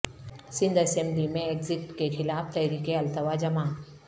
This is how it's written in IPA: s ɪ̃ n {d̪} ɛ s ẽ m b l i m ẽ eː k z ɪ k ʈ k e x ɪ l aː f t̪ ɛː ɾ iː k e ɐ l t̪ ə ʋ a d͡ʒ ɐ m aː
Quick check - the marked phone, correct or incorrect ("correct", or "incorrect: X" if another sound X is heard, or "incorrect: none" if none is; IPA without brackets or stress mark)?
correct